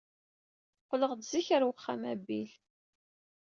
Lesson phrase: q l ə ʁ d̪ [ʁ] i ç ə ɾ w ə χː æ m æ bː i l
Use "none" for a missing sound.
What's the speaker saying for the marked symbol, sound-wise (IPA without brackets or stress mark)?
z